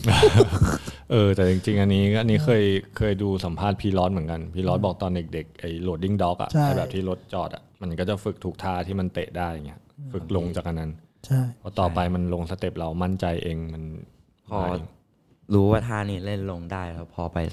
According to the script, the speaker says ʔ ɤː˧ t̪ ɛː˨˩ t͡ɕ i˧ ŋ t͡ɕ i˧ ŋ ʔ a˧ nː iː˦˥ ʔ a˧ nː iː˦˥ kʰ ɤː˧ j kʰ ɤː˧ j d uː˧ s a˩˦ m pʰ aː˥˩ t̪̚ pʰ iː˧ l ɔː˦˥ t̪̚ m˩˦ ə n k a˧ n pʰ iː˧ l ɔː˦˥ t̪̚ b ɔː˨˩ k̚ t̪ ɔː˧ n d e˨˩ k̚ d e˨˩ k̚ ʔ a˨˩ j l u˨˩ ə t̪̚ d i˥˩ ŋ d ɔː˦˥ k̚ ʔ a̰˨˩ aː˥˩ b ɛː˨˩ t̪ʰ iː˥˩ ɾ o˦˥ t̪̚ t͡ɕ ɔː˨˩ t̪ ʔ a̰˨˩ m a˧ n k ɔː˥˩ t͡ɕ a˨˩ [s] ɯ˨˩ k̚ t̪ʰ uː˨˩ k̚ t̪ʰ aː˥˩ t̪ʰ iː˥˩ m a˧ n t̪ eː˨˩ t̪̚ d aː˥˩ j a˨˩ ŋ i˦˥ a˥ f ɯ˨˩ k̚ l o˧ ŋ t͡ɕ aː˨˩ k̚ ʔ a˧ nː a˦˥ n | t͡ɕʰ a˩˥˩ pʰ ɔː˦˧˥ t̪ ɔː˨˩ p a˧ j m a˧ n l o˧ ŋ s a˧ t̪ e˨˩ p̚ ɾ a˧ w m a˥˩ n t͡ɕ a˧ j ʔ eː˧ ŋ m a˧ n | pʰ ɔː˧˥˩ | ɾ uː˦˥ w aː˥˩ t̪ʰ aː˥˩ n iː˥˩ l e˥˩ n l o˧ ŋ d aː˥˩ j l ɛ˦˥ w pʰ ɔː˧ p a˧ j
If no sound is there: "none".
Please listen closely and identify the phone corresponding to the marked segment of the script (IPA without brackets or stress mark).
f